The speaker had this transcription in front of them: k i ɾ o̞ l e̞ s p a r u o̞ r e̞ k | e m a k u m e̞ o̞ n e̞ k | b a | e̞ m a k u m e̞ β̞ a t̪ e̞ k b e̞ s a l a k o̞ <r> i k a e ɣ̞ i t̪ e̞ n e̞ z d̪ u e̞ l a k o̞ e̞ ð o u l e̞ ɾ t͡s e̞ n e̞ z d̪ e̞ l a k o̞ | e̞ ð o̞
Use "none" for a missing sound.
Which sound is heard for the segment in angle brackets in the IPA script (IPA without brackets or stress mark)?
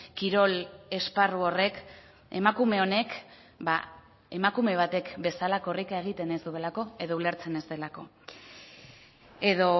r